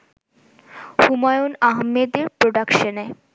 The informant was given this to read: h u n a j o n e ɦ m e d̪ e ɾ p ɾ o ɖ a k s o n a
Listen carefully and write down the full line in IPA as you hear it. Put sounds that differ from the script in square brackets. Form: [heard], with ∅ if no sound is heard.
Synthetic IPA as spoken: h u [m] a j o n [a] ɦ m e d̪ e ɾ p ɾ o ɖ a k [ʃ] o n [e]